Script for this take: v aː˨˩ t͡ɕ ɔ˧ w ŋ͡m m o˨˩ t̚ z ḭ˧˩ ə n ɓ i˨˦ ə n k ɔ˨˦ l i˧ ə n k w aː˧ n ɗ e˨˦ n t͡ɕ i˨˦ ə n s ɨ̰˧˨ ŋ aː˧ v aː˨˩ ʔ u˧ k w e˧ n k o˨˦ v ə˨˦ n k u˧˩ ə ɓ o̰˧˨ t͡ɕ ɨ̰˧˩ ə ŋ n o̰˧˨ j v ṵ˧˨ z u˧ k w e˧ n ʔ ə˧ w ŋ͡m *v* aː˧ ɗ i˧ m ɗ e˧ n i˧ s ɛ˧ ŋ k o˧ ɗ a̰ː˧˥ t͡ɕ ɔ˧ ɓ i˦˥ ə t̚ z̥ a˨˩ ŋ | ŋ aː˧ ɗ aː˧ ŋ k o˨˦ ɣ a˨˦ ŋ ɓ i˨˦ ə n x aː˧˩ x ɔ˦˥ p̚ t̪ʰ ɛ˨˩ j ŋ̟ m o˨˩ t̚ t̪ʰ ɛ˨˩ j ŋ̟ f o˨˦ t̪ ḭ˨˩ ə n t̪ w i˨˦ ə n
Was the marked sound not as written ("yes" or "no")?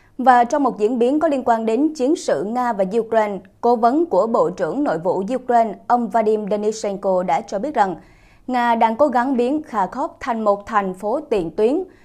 no